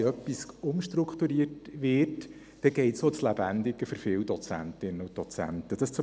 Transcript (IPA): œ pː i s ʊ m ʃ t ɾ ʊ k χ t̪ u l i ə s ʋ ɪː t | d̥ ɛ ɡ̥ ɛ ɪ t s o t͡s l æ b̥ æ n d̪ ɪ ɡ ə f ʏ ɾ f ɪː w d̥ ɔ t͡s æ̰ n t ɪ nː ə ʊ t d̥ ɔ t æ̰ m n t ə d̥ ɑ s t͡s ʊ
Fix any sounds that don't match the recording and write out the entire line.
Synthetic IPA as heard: œ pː i s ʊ m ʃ t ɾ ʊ k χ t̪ u ɾ i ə t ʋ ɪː t | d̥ ɛ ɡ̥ ɛ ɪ t s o t͡s l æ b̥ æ n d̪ ɪ ɡ ə f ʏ ɾ f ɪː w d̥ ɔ t͡s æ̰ n t ɪ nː ə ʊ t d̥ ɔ t͡s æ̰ n t ə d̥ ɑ s t͡s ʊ